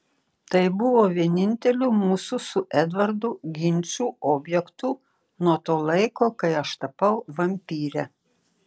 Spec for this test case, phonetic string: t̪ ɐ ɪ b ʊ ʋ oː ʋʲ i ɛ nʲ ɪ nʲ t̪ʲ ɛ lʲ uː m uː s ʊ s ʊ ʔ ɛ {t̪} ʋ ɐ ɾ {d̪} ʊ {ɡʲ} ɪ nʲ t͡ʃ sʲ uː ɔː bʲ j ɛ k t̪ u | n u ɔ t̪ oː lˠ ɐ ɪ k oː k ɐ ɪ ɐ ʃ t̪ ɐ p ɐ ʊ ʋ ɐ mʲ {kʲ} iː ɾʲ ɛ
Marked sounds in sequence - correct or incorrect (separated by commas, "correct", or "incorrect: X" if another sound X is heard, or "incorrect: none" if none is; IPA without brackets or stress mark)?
incorrect: d̪, correct, correct, incorrect: pʲ